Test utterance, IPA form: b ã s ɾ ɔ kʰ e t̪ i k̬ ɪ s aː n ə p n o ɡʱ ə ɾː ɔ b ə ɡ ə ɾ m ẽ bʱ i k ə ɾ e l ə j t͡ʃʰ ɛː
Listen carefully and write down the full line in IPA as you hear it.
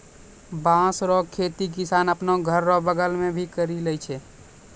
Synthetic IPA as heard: b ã s ɾ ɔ kʰ e t̪ i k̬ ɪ s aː n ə p n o ɡʱ ə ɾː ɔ b ə ɡ ə l m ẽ bʱ i k ə ɾ i l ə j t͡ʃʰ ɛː